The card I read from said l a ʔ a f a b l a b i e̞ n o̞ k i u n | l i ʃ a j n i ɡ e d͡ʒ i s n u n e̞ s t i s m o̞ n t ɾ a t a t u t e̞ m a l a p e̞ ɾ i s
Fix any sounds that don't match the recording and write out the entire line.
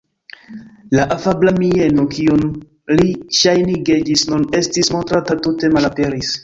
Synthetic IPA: l a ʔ a f a b l a m i e̞ n o̞ k i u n | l i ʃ a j n i ɡ e d͡ʒ i s n u n e̞ s t i s m o̞ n t ɾ a t a t u t e̞ m a l a p e̞ ɾ i s